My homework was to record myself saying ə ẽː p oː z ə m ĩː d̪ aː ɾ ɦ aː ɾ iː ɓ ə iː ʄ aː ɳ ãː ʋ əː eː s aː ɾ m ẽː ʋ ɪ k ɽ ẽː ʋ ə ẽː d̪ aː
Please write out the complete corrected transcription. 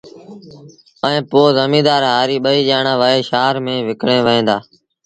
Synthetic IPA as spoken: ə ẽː p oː z ə m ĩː d̪ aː ɾ ɦ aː ɾ iː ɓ ə iː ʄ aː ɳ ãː ʋ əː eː ʃ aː ɾ m ẽː ʋ ɪ k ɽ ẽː ʋ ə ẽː d̪ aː